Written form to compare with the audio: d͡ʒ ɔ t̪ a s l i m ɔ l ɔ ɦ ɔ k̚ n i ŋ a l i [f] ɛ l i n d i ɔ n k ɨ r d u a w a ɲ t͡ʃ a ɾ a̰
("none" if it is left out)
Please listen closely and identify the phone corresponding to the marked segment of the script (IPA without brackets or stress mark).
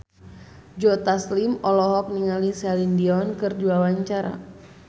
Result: s